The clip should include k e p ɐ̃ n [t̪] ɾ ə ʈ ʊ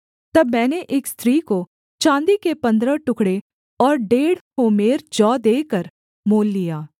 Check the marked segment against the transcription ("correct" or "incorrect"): incorrect